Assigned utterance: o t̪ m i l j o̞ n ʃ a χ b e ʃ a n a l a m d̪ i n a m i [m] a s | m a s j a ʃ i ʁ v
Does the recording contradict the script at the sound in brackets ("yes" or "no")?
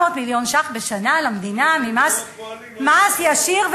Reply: no